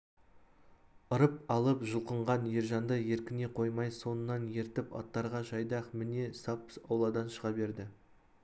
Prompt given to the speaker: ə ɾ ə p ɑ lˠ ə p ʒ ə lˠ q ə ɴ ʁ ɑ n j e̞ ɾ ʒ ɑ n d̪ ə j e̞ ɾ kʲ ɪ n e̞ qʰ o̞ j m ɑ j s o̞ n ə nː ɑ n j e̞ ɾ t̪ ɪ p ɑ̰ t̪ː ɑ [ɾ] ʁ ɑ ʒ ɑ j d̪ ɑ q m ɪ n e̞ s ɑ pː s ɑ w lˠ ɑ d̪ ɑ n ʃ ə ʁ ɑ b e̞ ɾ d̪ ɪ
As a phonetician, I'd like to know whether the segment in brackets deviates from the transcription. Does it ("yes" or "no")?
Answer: no